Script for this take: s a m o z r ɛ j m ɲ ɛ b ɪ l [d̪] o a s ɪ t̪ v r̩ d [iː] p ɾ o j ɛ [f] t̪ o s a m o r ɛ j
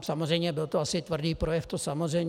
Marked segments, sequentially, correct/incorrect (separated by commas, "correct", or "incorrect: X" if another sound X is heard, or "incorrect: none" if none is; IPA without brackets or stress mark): incorrect: t̪, correct, correct